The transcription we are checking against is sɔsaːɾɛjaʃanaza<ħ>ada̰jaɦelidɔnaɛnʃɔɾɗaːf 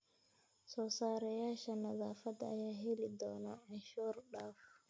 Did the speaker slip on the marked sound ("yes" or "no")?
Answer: yes